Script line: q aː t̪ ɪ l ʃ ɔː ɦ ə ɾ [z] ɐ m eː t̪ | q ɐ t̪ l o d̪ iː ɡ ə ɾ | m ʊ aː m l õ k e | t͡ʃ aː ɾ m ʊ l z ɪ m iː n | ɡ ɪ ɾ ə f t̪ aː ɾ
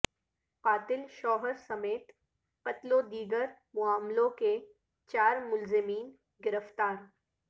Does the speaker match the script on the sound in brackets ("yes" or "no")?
no